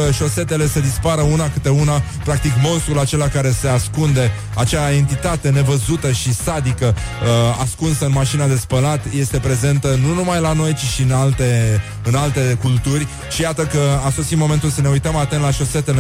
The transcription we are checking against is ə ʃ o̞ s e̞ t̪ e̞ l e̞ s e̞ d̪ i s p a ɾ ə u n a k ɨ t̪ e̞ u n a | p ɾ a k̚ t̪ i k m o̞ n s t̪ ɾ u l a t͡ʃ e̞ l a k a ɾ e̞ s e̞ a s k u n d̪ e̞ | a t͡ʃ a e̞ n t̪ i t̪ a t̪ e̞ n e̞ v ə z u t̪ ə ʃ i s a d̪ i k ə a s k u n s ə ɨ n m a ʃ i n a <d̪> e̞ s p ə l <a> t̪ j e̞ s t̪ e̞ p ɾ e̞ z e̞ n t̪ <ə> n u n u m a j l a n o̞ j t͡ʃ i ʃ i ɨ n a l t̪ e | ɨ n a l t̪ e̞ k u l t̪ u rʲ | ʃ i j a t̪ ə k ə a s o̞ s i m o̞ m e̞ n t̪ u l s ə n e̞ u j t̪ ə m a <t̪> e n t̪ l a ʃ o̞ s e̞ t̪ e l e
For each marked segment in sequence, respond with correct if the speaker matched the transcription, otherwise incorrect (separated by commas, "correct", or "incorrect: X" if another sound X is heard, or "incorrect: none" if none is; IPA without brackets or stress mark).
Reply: correct, correct, correct, correct